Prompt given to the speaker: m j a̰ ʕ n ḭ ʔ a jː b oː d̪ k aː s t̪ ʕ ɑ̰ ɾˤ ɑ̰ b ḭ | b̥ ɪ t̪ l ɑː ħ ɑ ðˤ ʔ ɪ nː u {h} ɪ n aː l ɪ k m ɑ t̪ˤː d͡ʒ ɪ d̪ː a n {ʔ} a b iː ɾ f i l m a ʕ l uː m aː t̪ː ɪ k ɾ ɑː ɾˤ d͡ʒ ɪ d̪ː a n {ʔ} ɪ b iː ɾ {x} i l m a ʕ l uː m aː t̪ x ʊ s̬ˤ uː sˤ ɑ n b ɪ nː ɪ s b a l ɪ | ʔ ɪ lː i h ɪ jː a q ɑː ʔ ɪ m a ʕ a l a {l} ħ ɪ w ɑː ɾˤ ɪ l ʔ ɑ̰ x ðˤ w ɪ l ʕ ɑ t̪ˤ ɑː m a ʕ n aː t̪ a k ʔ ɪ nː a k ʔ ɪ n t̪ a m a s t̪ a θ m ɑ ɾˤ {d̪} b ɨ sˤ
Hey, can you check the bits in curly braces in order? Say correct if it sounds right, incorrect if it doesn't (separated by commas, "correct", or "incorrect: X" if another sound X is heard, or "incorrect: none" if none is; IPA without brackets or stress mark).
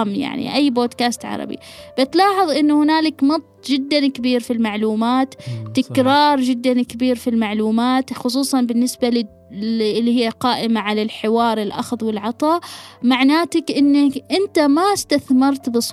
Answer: correct, incorrect: k, incorrect: k, incorrect: f, correct, incorrect: t̪